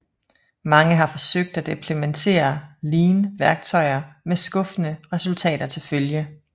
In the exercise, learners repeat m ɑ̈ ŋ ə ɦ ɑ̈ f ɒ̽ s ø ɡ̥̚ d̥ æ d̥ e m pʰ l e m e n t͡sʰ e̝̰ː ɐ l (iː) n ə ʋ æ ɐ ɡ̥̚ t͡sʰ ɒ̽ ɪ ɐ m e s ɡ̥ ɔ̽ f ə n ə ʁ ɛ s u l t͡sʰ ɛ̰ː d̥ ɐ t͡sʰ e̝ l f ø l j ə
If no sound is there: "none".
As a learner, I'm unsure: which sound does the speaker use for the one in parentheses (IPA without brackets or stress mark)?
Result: iː